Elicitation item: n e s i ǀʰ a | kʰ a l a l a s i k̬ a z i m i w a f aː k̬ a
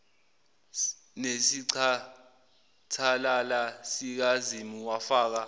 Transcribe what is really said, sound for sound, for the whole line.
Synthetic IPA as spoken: n e s i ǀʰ a | tʰ a l a l a s i k̬ a z i m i w a f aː k̬ a